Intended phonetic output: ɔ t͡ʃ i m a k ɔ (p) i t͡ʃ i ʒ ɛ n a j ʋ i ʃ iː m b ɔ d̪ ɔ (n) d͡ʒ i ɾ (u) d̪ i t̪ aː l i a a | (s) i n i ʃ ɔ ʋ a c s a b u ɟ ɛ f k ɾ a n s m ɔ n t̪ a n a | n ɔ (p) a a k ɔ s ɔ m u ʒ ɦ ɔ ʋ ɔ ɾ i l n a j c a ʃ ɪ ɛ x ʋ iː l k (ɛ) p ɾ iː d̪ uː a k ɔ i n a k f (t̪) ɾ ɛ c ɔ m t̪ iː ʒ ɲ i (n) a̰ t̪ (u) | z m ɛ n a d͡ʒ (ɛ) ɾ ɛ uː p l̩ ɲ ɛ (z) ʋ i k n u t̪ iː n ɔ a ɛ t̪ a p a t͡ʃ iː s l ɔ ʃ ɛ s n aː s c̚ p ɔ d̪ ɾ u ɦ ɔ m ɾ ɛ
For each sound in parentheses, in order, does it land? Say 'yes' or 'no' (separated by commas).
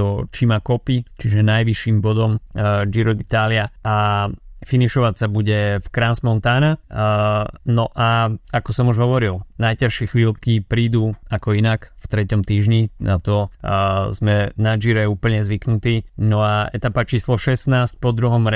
yes, no, no, no, no, no, yes, yes, no, no, yes